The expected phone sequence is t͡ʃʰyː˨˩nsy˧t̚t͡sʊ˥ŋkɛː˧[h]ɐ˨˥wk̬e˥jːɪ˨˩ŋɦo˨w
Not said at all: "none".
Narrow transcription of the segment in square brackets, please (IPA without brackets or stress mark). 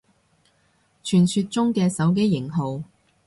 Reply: s